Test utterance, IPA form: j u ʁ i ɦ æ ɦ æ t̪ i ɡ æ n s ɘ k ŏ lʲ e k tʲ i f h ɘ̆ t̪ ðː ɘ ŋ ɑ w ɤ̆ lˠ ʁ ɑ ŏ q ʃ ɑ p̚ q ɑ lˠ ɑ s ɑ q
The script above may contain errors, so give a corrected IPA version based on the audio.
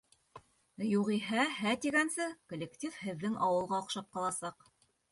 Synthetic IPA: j u ʁ i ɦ æ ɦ æ t̪ i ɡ æ n s ɘ k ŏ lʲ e k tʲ i f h ɘ̆ ðː ɘ ŋ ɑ w ɤ̆ lˠ ʁ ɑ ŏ q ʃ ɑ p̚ q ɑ lˠ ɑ s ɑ q